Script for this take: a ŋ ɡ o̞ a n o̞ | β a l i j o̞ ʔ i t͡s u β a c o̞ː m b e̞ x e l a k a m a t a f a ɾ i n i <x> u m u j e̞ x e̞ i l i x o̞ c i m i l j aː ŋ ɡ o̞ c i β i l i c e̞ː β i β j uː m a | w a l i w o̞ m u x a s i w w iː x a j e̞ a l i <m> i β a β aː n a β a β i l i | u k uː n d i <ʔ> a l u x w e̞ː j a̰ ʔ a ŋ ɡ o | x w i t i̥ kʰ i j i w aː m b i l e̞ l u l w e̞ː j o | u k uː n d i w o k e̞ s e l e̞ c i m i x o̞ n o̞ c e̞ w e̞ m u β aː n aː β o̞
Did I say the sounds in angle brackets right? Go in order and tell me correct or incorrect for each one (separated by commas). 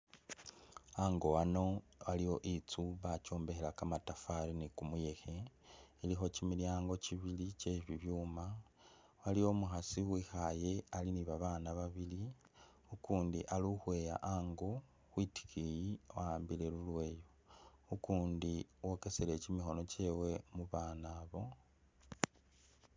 incorrect, incorrect, correct